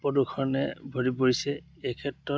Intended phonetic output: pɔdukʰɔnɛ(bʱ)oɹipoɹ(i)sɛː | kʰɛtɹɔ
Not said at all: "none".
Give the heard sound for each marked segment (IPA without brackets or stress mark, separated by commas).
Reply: bʱ, i